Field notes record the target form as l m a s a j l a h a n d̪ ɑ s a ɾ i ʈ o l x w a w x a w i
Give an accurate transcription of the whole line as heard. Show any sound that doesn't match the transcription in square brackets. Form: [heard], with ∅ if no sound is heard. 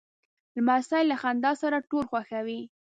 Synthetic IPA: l m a s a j l a [x] a n d̪ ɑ s a ɾ [a] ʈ o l x w a [∅] x a w i